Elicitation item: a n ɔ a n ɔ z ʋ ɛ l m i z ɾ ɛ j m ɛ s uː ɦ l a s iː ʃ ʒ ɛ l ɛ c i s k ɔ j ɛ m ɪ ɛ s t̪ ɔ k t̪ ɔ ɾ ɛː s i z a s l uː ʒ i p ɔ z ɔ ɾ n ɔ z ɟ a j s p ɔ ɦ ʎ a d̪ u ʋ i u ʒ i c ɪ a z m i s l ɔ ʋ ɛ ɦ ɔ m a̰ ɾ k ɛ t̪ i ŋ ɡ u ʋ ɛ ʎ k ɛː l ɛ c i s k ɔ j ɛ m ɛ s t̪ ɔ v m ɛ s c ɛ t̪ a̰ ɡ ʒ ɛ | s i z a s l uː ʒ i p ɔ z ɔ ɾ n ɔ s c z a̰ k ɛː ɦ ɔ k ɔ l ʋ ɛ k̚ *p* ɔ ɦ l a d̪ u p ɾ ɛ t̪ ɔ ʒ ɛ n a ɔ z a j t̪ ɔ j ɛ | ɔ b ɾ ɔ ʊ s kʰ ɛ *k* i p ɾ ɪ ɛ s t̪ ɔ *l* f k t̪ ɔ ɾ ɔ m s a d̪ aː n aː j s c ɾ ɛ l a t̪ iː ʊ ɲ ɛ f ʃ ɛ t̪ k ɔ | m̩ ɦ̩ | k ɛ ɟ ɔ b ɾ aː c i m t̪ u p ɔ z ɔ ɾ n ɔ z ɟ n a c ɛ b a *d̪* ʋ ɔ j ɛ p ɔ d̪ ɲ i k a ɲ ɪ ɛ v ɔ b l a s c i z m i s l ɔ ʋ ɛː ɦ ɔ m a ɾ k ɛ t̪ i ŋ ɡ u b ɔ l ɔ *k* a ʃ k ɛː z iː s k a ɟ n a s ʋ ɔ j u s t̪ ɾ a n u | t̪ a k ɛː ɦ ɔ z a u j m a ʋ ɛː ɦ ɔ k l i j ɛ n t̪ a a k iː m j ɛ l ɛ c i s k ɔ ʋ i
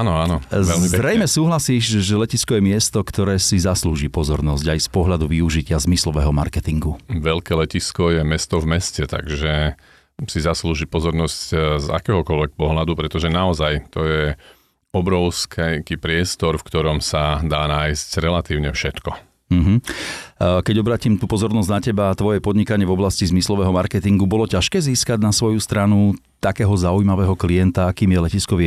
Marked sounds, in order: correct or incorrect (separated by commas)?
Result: correct, correct, incorrect, incorrect, incorrect